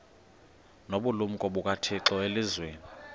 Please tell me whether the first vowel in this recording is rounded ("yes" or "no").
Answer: yes